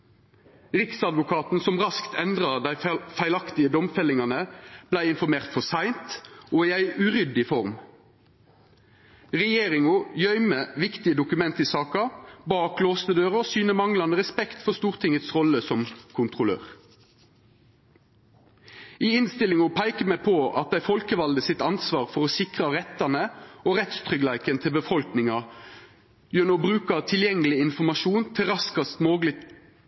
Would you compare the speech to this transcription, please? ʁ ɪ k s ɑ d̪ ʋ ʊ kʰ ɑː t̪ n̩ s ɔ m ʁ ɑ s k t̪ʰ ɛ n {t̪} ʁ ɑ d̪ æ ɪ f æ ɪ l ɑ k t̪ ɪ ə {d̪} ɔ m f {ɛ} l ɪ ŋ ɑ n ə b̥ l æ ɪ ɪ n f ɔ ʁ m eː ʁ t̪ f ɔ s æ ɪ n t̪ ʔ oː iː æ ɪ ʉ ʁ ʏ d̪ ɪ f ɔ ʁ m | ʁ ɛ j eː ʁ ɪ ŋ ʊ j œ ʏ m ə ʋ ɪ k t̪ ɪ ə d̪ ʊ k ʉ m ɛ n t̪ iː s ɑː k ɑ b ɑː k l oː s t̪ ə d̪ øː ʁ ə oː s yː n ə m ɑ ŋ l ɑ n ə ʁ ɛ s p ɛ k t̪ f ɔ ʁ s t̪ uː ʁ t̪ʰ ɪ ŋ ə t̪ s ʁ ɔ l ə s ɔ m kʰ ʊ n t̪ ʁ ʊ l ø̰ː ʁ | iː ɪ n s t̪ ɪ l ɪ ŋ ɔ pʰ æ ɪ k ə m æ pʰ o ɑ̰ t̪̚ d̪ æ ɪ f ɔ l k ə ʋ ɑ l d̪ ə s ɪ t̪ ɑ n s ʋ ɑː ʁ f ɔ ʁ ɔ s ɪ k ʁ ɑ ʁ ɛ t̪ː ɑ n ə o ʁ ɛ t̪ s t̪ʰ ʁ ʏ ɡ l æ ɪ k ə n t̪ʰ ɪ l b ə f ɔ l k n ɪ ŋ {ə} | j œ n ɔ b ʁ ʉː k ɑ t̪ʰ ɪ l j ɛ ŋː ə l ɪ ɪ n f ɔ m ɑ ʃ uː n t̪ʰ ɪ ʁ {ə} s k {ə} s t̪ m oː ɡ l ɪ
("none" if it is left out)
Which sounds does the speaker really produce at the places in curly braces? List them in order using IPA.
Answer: d̪, d̪, ɛ, ɑ, ɑ, ɑ

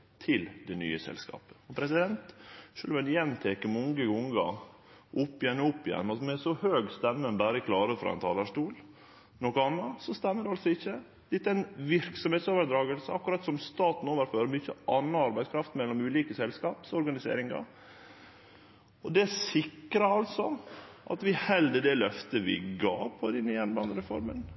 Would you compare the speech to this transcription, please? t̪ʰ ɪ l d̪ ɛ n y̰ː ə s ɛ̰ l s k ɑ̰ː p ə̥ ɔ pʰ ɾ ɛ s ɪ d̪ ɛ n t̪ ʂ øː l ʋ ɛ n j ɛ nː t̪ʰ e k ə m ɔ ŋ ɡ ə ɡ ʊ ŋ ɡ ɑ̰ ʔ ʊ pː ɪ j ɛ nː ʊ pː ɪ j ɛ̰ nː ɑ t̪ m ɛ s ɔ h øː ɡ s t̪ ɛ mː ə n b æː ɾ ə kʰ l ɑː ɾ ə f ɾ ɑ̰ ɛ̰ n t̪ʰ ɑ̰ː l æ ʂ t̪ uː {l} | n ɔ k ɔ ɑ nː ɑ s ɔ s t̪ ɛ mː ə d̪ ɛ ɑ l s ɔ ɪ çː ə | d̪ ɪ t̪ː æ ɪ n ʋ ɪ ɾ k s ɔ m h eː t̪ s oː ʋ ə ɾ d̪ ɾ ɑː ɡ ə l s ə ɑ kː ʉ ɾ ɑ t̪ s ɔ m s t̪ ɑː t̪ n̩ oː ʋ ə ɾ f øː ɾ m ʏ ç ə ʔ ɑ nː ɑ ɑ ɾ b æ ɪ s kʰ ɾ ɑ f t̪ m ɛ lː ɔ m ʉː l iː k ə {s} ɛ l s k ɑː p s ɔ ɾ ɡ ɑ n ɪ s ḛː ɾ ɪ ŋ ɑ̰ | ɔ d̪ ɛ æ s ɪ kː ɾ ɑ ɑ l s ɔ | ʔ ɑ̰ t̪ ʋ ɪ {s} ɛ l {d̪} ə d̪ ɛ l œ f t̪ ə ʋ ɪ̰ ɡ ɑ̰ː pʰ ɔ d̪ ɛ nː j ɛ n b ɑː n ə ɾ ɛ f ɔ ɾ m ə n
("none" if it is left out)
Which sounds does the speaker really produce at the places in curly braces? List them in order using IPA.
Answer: l, s, h, d̪

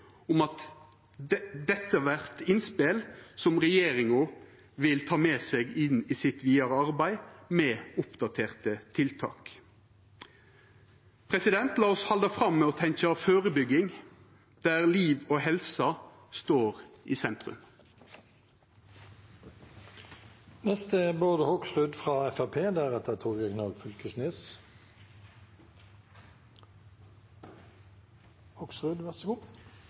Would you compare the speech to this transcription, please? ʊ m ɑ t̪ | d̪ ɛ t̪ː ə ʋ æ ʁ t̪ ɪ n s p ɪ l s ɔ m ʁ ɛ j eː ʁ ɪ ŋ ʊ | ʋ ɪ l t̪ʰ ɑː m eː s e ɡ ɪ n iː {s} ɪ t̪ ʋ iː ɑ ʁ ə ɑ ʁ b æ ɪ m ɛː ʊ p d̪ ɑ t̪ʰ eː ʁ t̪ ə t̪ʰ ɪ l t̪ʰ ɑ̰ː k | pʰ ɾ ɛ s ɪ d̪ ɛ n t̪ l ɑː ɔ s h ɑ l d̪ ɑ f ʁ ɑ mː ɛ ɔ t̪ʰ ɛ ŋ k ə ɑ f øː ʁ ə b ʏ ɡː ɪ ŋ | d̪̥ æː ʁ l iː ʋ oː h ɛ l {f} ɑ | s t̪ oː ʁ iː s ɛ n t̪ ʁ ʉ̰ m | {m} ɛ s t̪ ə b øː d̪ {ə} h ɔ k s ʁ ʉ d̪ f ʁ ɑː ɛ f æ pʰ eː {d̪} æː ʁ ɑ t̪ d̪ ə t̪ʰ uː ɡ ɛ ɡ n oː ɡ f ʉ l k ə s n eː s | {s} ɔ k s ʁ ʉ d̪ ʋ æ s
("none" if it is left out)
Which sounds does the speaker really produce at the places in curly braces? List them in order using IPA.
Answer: s, s, n, ə, d̪, h

